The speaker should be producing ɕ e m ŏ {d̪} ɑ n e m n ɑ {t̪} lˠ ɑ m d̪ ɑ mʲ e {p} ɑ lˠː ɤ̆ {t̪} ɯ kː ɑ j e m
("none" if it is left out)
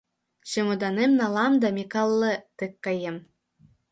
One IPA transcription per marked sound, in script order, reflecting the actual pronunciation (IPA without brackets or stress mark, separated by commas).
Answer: d̪, none, k, t̪